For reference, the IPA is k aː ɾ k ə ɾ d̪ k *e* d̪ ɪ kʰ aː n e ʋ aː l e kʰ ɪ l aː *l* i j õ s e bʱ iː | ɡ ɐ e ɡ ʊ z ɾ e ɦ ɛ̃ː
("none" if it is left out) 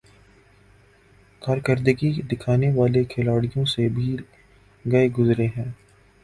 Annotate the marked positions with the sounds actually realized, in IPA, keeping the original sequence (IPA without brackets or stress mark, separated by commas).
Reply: i, ɽ